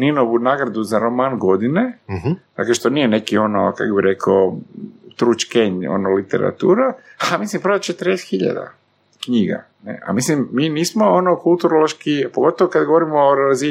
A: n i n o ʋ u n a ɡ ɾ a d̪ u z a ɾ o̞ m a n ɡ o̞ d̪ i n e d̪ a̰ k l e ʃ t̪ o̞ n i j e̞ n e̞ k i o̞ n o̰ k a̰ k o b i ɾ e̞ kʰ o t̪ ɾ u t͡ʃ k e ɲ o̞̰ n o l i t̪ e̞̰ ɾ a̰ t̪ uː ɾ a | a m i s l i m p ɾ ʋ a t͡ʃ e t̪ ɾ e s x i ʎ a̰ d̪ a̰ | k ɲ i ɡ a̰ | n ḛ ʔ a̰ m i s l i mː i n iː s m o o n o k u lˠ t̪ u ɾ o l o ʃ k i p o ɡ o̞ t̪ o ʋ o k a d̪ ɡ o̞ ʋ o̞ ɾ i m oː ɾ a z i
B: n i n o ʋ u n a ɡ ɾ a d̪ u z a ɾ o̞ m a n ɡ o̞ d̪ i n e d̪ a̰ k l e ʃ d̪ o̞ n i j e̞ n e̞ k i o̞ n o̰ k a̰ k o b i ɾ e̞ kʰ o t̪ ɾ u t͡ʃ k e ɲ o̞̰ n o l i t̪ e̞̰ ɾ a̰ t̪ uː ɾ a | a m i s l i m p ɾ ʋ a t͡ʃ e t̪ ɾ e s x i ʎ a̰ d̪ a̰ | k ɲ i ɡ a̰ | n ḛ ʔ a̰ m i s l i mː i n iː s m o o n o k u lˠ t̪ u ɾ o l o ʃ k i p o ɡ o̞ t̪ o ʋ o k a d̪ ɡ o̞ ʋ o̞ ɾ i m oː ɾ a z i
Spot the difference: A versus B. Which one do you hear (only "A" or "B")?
A